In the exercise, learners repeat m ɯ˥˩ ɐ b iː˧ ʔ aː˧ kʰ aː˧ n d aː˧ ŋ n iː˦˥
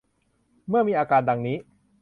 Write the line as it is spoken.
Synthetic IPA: m ɯ˥˩ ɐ m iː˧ ʔ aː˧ k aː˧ n d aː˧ ŋ n iː˦˥